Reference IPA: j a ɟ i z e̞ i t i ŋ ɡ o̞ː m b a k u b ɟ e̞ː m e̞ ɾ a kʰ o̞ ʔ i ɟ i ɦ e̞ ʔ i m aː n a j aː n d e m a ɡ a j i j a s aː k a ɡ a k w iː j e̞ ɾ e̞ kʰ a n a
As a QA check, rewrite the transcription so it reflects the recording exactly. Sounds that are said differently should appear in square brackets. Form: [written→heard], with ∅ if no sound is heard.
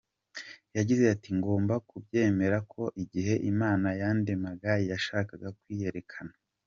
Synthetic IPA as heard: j a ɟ i z e̞ [i→a] t i ŋ ɡ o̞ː m b a k u b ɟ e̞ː m e̞ ɾ a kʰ o̞ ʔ i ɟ i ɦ e̞ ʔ i m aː n a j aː n d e m a ɡ a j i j a [s→ʃ] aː k a ɡ a k w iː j e̞ ɾ e̞ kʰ a n a

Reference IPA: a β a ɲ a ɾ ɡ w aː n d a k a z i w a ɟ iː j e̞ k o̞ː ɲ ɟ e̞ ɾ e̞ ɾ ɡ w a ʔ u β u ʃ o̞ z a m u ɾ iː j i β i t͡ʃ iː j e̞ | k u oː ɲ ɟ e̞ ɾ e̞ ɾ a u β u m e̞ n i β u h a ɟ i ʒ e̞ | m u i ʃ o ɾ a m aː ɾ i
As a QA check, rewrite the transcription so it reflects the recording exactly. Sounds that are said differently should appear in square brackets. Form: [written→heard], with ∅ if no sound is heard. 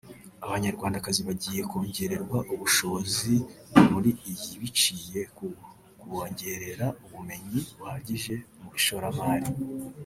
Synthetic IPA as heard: a β a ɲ a ɾ ɡ w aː n d a k a z i [w→β] a ɟ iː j e̞ k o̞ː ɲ ɟ e̞ ɾ e̞ ɾ ɡ w a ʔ u β u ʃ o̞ z [a→i] m u ɾ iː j i β i t͡ʃ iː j e̞ | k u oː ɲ ɟ e̞ ɾ e̞ ɾ a u β u m e̞ [n→ɲ] i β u h a ɟ i ʒ e̞ | m u i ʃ o ɾ a m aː ɾ i

